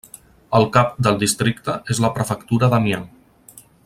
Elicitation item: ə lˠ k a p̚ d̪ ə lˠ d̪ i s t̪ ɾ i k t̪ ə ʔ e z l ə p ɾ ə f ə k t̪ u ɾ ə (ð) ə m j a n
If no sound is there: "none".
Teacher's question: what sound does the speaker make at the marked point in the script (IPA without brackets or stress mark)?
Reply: ð